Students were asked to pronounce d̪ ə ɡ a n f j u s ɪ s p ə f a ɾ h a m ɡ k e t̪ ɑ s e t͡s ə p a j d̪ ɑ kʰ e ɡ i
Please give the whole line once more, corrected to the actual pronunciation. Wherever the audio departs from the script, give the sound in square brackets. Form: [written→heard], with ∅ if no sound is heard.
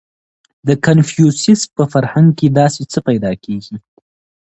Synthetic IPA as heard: d̪ ə [ɡ→k] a n f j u s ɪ s p ə f a ɾ h a [m→ŋ] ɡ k e [t̪→d̪] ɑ s e t͡s ə p a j d̪ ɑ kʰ e ɡ i

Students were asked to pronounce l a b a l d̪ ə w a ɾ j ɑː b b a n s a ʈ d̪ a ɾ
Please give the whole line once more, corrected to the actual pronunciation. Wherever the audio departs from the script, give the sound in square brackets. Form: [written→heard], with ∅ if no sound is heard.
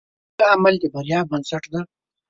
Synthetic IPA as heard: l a [b→m] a l d̪ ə [w→b] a ɾ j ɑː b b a n s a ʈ d̪ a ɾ

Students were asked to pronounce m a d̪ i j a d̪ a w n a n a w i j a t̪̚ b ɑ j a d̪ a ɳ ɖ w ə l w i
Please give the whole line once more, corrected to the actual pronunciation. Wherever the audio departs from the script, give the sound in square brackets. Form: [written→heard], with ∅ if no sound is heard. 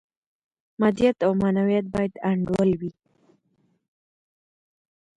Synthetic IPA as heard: m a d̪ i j a [d̪→t̪] a w [n→m] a n a w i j a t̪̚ b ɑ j a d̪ a ɳ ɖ w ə l w i

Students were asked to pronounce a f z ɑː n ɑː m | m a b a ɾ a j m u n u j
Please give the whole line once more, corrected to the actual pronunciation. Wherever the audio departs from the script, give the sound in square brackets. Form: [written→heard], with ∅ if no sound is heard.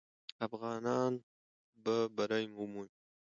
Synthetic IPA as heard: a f [z→ɣ] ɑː n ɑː [m→n] | [m→b] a b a ɾ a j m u [n→m] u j

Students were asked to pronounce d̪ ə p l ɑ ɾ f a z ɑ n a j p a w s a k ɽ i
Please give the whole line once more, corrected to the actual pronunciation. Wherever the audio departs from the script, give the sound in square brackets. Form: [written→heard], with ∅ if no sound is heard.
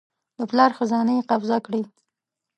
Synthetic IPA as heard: d̪ ə p l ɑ ɾ [f→x] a z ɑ n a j [p→q] a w [s→z] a k ɽ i

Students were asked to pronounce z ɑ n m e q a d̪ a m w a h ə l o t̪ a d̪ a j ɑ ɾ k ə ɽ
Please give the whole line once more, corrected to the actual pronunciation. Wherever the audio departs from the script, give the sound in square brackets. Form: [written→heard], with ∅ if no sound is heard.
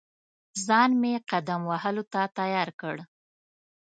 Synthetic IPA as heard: z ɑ n m e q a d̪ a m w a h ə l o t̪ a [d̪→t̪] a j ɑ ɾ k ə ɽ

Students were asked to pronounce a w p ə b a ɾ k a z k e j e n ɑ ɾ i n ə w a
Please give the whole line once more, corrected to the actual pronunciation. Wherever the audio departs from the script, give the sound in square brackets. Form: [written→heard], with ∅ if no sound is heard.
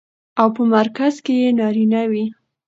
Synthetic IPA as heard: a w p ə [b→m] a ɾ k a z k e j e n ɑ ɾ i n [ə→a] w [a→i]

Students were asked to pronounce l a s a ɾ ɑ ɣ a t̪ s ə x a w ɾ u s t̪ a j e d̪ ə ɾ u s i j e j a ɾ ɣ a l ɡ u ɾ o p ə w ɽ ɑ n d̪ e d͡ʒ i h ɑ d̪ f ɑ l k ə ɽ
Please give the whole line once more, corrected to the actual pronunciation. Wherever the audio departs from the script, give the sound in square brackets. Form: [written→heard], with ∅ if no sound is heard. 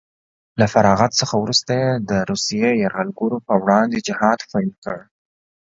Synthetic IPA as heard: l a [s→f] a ɾ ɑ ɣ a t̪ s ə x a w ɾ u s t̪ a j e d̪ ə ɾ u s i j e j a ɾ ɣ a l ɡ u ɾ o p ə w ɽ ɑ n d̪ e d͡ʒ [i→ɪ] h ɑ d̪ f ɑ l k ə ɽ

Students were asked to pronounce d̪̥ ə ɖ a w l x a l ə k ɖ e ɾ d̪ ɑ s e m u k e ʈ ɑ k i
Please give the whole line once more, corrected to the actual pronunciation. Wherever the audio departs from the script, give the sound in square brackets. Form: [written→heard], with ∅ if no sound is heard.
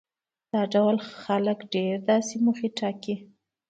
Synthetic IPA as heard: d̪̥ [ə→ɑ] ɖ a w l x a l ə k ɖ e ɾ d̪ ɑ s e m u [k→x] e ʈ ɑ k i

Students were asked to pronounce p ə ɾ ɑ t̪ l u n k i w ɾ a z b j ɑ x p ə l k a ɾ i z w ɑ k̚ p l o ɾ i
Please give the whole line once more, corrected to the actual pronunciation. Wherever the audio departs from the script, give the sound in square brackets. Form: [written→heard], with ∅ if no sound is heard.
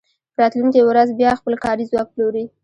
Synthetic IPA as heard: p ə ɾ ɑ t̪ l u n k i w ɾ a z b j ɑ x p ə l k [a→ɑ] ɾ i z w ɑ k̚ p l o ɾ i

